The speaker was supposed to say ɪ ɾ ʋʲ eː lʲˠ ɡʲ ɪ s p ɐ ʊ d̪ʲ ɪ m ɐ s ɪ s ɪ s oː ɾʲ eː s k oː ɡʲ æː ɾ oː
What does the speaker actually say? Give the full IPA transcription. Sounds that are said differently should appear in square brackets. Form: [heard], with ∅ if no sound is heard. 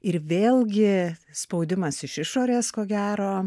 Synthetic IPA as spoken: ɪ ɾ ʋʲ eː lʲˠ ɡʲ ɪ s p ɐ ʊ d̪ʲ ɪ m ɐ s ɪ [ʃ] ɪ [ʃ] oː ɾʲ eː s k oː ɡʲ æː ɾ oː

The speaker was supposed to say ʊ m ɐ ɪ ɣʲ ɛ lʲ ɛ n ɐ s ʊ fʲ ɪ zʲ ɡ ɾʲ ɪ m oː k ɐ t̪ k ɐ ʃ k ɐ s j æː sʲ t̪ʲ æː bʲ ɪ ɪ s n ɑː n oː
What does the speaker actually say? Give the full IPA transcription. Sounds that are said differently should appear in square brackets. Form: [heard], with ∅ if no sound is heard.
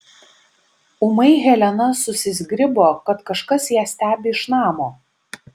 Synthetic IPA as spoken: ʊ m ɐ ɪ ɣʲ ɛ lʲ ɛ n ɐ s ʊ [sʲ] ɪ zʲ ɡ ɾʲ ɪ [b] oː k ɐ t̪ k ɐ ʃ k ɐ s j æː sʲ t̪ʲ æː bʲ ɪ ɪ [ʃ] n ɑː [m] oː

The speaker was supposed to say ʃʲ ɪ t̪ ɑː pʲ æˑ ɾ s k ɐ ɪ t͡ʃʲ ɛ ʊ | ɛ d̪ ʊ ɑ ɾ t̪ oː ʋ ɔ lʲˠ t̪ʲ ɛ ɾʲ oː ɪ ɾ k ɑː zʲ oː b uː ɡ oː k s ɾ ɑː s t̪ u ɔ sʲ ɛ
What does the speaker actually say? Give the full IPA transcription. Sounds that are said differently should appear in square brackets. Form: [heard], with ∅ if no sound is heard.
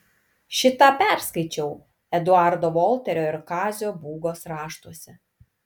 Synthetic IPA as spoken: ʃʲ ɪ t̪ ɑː pʲ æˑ ɾ s k ɐ ɪ t͡ʃʲ ɛ ʊ | ɛ d̪ ʊ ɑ ɾ [d̪] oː ʋ ɔ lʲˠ t̪ʲ ɛ ɾʲ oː ɪ ɾ k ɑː zʲ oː b uː ɡ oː [∅] s ɾ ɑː [ʃ] t̪ u ɔ sʲ ɛ

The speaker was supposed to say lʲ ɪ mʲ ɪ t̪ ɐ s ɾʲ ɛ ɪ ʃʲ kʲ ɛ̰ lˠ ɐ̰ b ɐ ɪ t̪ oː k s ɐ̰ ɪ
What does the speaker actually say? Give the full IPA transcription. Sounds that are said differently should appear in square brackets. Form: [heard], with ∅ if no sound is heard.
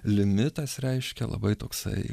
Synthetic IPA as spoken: lʲ ɪ mʲ ɪ t̪ ɐ s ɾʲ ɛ ɪ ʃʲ kʲ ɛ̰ lˠ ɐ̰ b ɐ ɪ t̪ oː k s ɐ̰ ɪ

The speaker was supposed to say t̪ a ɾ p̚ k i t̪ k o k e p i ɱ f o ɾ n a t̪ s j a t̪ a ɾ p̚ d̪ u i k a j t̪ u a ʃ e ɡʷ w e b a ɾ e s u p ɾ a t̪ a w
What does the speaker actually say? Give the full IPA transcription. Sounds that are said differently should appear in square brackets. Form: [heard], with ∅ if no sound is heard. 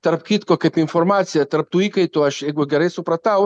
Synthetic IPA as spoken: t̪ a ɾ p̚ k i t̪ k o k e p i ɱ f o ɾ [m] a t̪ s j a t̪ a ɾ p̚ [t̪] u i k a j t̪ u a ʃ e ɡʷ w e [ɡ] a ɾ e s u p ɾ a t̪ a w

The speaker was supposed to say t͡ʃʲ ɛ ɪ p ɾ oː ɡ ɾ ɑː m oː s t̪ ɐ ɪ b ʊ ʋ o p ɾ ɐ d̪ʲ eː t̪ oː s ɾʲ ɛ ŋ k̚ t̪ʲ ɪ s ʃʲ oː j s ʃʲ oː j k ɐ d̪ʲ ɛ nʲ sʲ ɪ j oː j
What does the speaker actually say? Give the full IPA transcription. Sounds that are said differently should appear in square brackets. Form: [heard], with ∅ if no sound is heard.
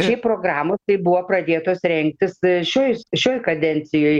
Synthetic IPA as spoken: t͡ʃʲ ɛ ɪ p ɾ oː ɡ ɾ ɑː m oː s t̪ ɐ ɪ b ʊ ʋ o p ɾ ɐ d̪ʲ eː t̪ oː s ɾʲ ɛ ŋ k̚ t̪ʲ ɪ s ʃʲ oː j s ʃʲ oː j k ɐ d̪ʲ ɛ nʲ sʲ ɪ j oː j

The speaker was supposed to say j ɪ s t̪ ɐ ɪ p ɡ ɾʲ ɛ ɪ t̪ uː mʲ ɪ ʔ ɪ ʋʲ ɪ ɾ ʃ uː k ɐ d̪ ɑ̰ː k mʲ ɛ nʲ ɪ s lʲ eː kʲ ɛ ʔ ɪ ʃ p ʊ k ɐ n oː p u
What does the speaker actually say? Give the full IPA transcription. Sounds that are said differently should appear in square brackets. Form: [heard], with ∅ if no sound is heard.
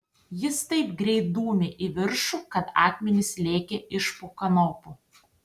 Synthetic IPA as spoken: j ɪ s t̪ ɐ ɪ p ɡ ɾʲ ɛ ɪ [d̪] uː mʲ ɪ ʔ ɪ ʋʲ ɪ ɾ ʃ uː k ɐ [t̪] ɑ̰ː k mʲ ɛ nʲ ɪ s lʲ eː kʲ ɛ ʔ ɪ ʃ p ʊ k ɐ n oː p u

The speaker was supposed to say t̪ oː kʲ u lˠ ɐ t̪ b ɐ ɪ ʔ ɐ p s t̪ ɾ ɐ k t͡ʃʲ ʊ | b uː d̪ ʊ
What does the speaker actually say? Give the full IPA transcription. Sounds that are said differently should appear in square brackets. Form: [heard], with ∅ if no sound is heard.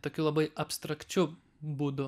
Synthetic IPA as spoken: t̪ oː kʲ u lˠ ɐ [∅] b ɐ ɪ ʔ ɐ p s t̪ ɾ ɐ k t͡ʃʲ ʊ | b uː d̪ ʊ

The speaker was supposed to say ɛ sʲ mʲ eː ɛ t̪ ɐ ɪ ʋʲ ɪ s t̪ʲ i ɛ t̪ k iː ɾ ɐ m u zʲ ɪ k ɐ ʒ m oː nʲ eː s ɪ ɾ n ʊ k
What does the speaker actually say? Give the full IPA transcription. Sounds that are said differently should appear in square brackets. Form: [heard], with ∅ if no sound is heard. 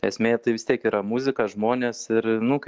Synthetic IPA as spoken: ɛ sʲ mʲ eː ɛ t̪ ɐ ɪ ʋʲ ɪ s t̪ʲ i ɛ [∅] k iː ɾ ɐ m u zʲ ɪ k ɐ ʒ m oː nʲ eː s ɪ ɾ n ʊ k

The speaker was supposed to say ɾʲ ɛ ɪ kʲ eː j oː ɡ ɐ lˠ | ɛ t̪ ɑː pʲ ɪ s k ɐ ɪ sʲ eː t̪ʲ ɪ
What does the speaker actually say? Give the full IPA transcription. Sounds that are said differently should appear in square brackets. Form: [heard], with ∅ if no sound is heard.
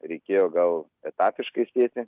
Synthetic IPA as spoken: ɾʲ ɛ ɪ kʲ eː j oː ɡ ɐ lˠ | ɛ t̪ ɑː pʲ ɪ [ʃ] k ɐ ɪ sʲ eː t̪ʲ ɪ

